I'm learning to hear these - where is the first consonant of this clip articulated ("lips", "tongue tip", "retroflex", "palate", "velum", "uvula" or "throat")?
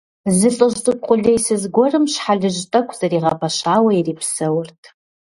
tongue tip